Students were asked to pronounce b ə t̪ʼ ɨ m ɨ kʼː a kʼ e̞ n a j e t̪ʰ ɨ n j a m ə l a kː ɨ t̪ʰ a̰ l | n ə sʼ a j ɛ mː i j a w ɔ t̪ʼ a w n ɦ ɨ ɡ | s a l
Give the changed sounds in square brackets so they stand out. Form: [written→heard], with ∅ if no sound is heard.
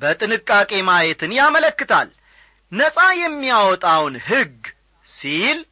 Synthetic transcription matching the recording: b ə t̪ʼ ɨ [m→n] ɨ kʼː a kʼ e̞ [n→m] a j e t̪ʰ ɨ n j a m ə l [a→ə] kː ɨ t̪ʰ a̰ l | n ə sʼ a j ɛ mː i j a w ɔ t̪ʼ a w n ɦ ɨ ɡ | s [a→i] l